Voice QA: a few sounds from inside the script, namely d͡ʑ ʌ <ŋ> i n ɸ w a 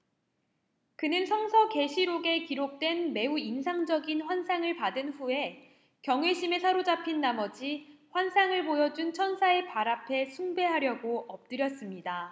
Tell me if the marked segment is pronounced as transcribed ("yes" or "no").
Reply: no